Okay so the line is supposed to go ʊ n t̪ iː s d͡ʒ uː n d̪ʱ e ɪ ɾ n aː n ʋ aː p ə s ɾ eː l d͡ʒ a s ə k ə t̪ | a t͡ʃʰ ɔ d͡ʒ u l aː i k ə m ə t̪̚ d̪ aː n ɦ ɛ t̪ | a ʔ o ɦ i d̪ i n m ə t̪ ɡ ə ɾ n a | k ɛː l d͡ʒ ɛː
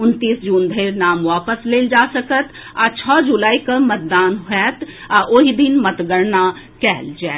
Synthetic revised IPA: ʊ n t̪ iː s d͡ʒ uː n d̪ʱ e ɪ ɾ n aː m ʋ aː p ə s l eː l d͡ʒ a s ə k ə t̪ | a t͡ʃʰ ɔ d͡ʒ u l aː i k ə m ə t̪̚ d̪ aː n ɦ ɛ t̪ | a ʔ o ɦ i d̪ i n m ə t̪ ɡ ə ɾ n a | k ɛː l d͡ʒ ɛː